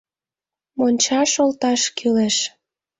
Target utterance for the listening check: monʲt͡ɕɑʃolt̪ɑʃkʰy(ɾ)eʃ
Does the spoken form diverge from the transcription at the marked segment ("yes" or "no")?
yes